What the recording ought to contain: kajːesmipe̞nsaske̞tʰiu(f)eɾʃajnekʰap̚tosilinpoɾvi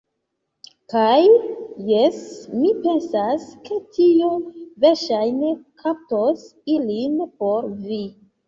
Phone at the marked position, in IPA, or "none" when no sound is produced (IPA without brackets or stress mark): v